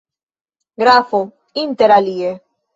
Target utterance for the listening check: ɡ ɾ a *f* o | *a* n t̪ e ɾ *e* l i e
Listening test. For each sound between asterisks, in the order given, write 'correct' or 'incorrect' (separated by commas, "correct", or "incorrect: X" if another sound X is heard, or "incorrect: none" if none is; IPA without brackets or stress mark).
correct, incorrect: i, incorrect: a